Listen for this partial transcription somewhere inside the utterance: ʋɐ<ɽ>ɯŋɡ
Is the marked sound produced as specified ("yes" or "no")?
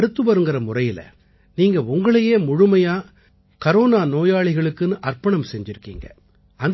no